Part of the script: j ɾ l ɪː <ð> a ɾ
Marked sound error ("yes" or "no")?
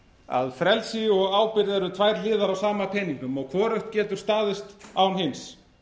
no